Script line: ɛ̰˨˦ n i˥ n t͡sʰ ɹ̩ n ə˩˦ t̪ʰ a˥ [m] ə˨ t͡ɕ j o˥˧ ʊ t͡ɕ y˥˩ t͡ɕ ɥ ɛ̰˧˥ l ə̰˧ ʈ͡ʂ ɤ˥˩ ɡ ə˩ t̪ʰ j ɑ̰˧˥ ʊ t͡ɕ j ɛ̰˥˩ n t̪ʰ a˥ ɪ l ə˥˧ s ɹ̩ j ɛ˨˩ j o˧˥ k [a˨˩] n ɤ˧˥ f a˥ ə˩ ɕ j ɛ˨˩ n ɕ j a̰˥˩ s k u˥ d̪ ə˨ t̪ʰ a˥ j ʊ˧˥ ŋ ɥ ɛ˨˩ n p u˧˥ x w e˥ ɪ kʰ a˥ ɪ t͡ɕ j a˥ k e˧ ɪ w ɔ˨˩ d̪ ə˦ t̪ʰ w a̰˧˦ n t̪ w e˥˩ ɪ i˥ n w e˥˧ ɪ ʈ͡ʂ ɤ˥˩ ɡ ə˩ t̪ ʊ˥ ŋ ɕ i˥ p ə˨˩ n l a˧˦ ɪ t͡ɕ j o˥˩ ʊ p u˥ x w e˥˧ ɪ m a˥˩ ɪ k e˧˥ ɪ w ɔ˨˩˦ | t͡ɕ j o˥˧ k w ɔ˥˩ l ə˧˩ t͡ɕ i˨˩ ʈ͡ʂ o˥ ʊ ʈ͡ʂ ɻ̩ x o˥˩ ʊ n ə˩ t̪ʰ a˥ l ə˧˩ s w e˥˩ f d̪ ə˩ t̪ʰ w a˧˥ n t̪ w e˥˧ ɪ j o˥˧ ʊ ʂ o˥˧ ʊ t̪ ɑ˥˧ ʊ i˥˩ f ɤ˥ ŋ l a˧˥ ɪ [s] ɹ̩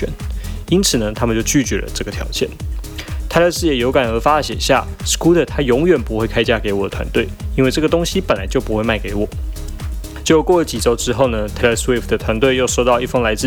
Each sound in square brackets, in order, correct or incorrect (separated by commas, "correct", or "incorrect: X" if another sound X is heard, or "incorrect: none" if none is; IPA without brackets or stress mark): correct, correct, incorrect: t͡s